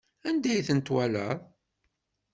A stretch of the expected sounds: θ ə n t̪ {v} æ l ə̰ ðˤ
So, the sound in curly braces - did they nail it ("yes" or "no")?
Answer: no